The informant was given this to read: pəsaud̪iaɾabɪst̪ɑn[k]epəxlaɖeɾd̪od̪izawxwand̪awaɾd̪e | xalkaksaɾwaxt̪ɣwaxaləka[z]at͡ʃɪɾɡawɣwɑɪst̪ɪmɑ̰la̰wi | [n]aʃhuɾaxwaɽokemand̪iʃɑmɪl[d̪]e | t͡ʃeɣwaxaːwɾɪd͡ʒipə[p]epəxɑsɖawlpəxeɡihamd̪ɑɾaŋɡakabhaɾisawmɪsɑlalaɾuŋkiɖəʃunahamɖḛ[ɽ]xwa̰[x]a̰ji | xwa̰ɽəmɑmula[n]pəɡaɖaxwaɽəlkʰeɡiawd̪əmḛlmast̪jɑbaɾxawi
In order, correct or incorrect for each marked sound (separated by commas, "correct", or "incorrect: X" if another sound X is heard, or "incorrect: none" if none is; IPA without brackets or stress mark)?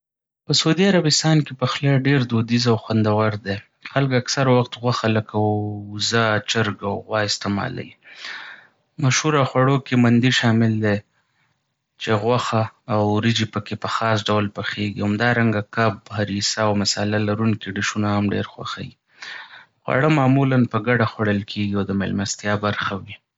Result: correct, correct, incorrect: m, correct, incorrect: k, incorrect: ɾ, correct, correct